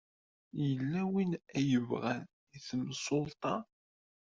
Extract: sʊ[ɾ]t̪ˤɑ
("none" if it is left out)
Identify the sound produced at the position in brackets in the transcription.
l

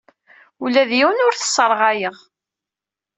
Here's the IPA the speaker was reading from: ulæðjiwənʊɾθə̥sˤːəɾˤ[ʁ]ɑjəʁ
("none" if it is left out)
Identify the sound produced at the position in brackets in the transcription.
ʁ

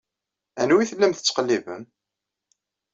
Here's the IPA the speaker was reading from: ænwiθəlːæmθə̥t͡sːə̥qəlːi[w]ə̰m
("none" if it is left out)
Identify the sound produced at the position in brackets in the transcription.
v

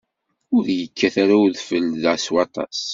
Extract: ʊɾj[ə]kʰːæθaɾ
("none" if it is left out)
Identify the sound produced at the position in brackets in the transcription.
ə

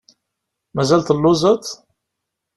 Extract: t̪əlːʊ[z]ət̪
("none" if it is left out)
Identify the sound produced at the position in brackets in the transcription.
z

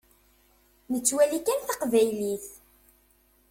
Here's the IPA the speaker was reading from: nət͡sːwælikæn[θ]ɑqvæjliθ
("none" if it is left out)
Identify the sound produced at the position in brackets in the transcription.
θ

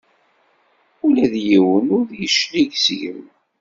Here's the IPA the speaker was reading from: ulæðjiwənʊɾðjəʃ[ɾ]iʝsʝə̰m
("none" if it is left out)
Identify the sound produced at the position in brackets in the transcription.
l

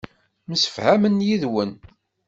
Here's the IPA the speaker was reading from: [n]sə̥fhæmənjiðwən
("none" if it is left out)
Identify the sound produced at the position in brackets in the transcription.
m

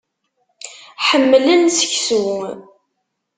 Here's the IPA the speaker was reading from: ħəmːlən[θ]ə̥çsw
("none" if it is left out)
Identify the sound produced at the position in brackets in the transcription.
s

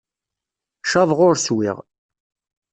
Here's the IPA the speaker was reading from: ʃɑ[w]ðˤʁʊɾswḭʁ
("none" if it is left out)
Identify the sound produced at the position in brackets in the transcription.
none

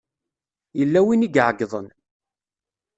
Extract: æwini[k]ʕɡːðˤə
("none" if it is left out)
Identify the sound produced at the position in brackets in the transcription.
ɡ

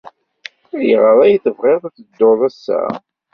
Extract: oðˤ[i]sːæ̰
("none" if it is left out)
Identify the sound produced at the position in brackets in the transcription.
æ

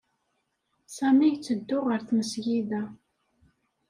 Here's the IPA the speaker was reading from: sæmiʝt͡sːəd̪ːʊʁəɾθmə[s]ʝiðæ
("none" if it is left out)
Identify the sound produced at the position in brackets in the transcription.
s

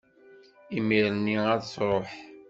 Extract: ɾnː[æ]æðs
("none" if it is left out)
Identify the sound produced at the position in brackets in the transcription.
i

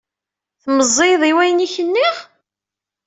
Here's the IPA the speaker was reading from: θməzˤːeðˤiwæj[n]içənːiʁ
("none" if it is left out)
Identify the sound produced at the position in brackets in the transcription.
n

